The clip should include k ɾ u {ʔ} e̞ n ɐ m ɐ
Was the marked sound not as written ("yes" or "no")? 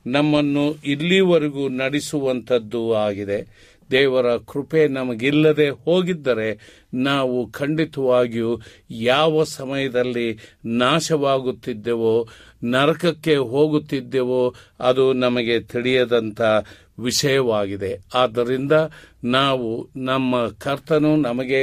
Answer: yes